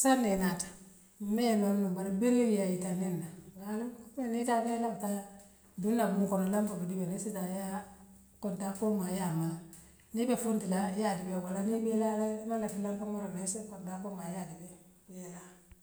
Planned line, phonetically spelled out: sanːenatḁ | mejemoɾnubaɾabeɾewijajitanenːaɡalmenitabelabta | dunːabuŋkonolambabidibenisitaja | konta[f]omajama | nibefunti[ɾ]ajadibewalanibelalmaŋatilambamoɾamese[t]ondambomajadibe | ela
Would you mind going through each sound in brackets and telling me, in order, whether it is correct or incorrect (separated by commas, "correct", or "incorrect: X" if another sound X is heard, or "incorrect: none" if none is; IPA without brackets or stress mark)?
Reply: correct, incorrect: l, incorrect: k